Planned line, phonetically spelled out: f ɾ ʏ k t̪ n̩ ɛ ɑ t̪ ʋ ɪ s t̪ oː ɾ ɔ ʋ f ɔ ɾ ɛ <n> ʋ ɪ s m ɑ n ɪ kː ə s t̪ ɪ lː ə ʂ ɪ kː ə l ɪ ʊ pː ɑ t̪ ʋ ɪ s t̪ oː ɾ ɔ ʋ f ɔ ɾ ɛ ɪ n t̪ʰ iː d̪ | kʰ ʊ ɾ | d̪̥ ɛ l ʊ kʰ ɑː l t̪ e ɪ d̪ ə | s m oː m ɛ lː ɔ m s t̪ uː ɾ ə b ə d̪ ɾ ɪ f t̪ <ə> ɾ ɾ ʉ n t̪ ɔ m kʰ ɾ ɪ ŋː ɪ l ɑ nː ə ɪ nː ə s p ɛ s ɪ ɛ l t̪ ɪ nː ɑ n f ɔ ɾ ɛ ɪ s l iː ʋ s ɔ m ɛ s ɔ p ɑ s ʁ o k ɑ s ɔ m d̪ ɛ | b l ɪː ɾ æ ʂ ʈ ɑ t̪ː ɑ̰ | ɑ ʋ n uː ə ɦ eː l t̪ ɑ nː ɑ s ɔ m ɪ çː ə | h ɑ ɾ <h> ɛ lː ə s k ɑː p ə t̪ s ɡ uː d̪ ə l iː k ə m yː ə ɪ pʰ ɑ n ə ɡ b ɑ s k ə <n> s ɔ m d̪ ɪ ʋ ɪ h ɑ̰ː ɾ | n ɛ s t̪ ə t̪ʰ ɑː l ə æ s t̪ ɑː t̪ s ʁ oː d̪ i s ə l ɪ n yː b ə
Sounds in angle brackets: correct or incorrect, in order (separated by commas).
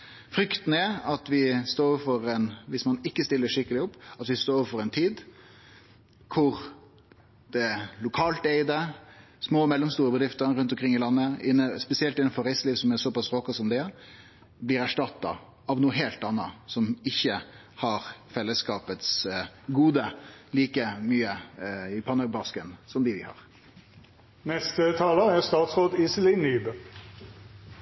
correct, correct, incorrect, correct